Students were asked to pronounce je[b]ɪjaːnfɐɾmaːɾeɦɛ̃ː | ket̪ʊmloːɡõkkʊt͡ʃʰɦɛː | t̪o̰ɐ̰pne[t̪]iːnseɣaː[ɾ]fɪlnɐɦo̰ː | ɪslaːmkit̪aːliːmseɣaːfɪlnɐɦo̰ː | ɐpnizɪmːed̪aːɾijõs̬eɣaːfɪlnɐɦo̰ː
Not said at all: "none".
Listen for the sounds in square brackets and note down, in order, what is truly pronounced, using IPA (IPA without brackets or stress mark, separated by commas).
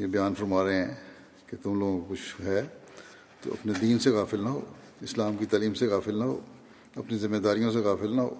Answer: b, d̪, none